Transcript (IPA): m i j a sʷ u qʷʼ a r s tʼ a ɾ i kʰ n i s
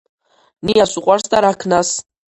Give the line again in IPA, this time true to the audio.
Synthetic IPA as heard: n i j a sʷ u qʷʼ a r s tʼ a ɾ a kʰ n a s